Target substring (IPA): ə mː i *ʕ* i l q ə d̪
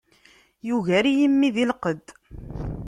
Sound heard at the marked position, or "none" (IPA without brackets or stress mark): ð